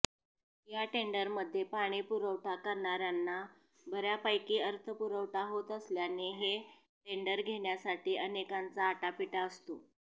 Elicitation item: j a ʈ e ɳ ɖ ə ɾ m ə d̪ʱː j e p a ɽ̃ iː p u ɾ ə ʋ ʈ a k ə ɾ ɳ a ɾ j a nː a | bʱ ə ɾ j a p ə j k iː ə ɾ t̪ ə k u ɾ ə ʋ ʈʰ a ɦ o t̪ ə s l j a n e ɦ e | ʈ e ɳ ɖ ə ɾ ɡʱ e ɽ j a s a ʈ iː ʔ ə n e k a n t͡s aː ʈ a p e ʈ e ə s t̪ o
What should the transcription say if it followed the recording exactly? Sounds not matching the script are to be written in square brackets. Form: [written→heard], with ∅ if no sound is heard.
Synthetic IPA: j a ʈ e ɳ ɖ ə ɾ m ə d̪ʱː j e p a ɽ̃ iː p u ɾ ə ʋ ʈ a k ə ɾ ɳ a ɾ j a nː a | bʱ ə ɾ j a p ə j k iː ə ɾ [t̪→t̪ʰ] ə [k→p] u ɾ ə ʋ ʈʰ a ɦ o t̪ ə s l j a n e ɦ e | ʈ e ɳ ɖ ə ɾ ɡʱ e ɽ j a s a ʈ iː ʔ ə n e k a n t͡s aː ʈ a p [e→i] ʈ [e→a] ə s t̪ o

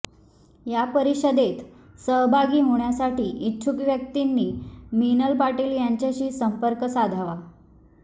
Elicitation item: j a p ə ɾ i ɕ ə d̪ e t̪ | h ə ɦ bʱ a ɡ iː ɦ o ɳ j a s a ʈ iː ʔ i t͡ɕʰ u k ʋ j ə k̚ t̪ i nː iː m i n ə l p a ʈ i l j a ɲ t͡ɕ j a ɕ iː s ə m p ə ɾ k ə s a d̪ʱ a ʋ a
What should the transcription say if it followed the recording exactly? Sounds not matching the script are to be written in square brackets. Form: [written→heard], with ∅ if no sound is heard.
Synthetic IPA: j a p ə ɾ i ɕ ə d̪ e t̪ | [h→s] ə ɦ bʱ a ɡ iː ɦ o ɳ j a s a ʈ iː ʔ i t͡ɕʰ u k ʋ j ə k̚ t̪ i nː iː m i n ə l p a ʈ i l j a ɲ t͡ɕ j a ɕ iː s ə m p ə ɾ k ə s a d̪ʱ a ʋ a

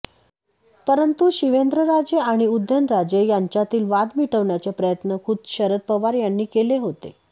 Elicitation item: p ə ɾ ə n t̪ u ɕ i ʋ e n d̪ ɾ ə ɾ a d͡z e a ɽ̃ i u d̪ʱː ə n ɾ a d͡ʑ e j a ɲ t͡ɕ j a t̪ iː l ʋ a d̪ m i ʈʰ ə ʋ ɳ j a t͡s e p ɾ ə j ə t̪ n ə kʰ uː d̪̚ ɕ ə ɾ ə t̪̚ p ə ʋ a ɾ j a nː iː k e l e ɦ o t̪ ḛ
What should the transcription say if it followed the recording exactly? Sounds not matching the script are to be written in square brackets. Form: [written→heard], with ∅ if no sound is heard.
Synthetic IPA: p ə ɾ ə n t̪ u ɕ i ʋ e n d̪ ɾ ə ɾ a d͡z e a ɽ̃ i u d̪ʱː ə n ɾ a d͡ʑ e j a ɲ t͡ɕ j a t̪ iː l ʋ a d̪ m i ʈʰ ə ʋ ɳ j a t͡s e p ɾ ə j ə t̪ n ə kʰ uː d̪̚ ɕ ə ɾ ə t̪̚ p ə ʋ a ɾ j a nː iː k e l e ɦ o t̪ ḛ

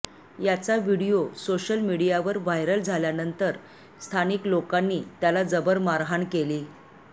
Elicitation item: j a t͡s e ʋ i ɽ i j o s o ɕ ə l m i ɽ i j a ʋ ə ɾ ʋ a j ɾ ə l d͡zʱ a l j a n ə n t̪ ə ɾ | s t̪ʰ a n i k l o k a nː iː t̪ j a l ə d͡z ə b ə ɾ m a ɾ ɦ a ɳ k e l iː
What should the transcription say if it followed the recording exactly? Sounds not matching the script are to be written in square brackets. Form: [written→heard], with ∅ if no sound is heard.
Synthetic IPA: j a t͡s [e→a] ʋ i ɽ i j o s o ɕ ə l m i ɽ i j a ʋ ə ɾ ʋ a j ɾ ə l d͡zʱ a l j a n ə n t̪ ə ɾ | s t̪ʰ a n i k l o k a nː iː t̪ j a l [ə→a] d͡z ə b ə ɾ m a ɾ ɦ a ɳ k e l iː

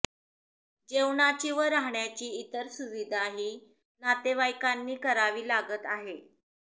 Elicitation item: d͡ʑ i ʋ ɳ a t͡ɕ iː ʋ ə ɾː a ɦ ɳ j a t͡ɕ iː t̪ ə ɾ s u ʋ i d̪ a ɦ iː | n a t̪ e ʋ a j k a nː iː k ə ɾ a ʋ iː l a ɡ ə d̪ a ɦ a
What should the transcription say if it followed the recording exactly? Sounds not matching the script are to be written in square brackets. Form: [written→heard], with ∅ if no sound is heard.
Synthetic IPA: d͡ʑ [i→e] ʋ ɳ a t͡ɕ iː ʋ ə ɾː a ɦ ɳ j a t͡ɕ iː t̪ ə ɾ s u ʋ i d̪ a ɦ iː | n a t̪ e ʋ a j k a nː iː k ə ɾ a ʋ iː l a ɡ ə [d̪→t̪] a ɦ [a→e]

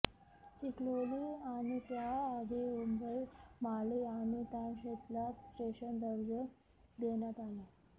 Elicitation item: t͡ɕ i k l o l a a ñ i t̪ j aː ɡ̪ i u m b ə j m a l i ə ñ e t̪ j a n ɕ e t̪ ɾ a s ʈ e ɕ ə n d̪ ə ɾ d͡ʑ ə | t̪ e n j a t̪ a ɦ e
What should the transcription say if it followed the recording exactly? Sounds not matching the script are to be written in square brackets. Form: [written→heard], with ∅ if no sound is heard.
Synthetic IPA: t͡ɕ i k l o l [a→i] a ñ i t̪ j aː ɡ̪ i u m b ə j m a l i [ə→a] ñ [e→i] t̪ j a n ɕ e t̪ [ɾ→l] a s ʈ e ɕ ə n d̪ ə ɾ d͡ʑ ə | [t̪→d̪] e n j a t̪ a ɦ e

